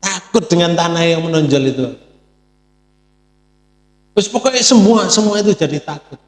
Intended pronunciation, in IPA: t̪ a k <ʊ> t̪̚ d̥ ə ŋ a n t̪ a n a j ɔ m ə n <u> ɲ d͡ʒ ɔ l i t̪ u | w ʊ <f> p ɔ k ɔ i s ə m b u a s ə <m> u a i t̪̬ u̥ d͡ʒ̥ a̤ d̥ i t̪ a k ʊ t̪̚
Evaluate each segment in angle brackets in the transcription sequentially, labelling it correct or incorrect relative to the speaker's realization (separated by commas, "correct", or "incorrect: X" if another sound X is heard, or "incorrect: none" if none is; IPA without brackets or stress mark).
correct, incorrect: ɔ, incorrect: s, correct